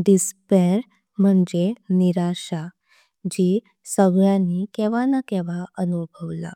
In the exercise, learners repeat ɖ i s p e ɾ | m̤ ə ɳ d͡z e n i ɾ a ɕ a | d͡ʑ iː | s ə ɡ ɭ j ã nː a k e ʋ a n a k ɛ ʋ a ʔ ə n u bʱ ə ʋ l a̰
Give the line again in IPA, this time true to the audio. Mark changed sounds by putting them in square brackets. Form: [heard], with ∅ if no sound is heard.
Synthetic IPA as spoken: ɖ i s p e ɾ | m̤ ə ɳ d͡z e n i ɾ a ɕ a | d͡ʑ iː | s ə ɡ ɭ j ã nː [i] k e ʋ a n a k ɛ ʋ a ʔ ə n u bʱ ə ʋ l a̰

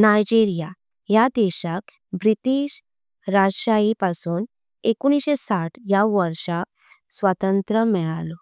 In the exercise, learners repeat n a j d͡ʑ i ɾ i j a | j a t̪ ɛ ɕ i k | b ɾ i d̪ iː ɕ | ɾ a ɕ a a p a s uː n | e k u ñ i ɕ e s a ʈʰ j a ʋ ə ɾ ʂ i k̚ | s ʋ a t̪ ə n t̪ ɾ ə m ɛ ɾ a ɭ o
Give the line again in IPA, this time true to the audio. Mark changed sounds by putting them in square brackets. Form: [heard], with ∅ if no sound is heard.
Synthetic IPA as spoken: n a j d͡ʑ i ɾ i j a | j a [d̪] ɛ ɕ [a] k | b ɾ i [t̪] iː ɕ | ɾ a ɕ a [i] p a s uː n | e k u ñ i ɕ e s a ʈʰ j a ʋ ə ɾ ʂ [a] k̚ | s ʋ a t̪ ə n t̪ ɾ ə m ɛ [ɭ] a [l] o

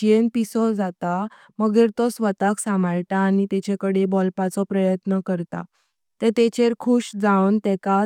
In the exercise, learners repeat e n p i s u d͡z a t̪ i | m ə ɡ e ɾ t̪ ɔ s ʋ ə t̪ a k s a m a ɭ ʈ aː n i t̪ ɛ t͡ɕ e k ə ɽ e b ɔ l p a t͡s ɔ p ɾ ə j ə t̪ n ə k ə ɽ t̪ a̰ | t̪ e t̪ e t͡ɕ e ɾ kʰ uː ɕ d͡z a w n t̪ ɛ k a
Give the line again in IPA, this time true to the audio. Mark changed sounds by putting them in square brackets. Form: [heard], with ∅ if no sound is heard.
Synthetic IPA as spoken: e n p i s [ɔ] d͡z a t̪ [a] | m ə ɡ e ɾ t̪ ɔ s ʋ ə t̪ a k s a m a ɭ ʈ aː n i t̪ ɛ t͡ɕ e k ə ɽ e b ɔ l p a t͡s ɔ p ɾ ə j ə t̪ n ə k ə [ɾ] t̪ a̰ | t̪ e t̪ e t͡ɕ e ɾ kʰ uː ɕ d͡z a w n t̪ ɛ k a

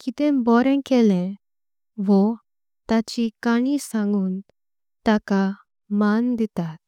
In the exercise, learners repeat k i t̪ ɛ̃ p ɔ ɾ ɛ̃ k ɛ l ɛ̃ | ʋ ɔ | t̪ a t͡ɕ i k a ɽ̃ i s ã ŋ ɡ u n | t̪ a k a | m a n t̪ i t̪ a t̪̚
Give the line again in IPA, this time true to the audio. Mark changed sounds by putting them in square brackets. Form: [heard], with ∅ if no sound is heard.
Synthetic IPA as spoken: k i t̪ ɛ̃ [b] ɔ ɾ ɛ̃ k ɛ l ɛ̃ | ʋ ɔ | t̪ a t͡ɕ i k a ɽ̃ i s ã ŋ ɡ u n | t̪ a k a | m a n [d̪] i t̪ a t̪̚

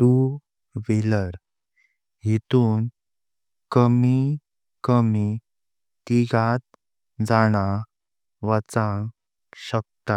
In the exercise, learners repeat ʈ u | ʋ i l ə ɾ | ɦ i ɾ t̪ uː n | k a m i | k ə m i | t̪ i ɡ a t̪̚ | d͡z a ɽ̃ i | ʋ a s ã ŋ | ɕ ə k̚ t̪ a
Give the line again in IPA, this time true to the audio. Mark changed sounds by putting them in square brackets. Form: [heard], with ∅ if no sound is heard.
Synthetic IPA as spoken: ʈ u | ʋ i l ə ɾ | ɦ i [∅] t̪ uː n | k [ə] m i | k ə m i | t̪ i ɡ a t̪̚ | d͡z a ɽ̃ [a] | ʋ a [t͡s] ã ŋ | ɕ ə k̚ t̪ a

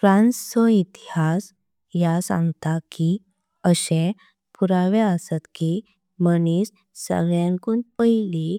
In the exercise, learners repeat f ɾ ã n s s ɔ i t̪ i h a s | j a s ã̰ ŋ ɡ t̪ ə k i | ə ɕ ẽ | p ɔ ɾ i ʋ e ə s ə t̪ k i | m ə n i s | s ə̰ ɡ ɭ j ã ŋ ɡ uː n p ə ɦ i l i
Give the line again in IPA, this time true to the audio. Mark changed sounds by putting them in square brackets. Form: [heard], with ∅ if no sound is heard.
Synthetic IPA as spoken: f ɾ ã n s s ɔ i t̪ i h a s | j a s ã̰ ŋ ɡ t̪ [a] k i | ə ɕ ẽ | p [u] ɾ [a] ʋ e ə s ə t̪ k i | m ə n i s | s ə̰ ɡ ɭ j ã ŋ [k] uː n p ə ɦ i l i

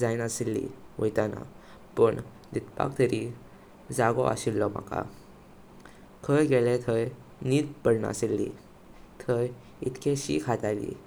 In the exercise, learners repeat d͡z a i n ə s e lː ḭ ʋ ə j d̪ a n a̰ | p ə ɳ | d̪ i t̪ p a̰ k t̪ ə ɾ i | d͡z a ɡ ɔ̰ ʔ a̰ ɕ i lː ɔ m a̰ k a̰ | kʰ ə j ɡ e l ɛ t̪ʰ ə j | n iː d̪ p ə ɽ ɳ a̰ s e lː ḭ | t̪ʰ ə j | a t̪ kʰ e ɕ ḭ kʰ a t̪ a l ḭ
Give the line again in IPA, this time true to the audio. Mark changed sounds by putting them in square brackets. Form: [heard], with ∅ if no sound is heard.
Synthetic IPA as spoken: d͡z a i n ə s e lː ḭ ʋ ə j [t̪] a n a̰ | p ə ɳ | d̪ i t̪ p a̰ k t̪ ə ɾ i | d͡z a ɡ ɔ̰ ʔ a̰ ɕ i lː ɔ m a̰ k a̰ | kʰ ə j ɡ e l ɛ t̪ʰ ə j | n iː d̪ p ə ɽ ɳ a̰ s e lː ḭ | t̪ʰ ə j | [i] t̪ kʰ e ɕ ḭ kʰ a t̪ a l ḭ

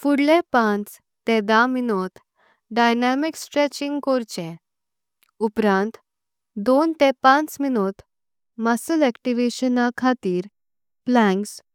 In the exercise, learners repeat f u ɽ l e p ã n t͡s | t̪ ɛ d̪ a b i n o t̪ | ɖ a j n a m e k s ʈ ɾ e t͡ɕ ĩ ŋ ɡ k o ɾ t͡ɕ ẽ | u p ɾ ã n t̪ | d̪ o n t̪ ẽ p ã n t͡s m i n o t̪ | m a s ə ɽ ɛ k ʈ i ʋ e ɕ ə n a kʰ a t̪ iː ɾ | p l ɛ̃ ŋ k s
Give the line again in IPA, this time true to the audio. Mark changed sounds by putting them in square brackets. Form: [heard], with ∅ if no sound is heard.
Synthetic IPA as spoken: f u ɽ l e p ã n t͡s | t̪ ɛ d̪ a [m] i n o t̪ | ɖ a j n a m [i] k s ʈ ɾ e t͡ɕ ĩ ŋ ɡ k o ɾ t͡ɕ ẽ | u p ɾ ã n t̪ | d̪ o n t̪ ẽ p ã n t͡s m i n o t̪ | m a s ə [l] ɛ k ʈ i ʋ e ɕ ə n a kʰ a t̪ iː ɾ | p l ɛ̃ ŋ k s

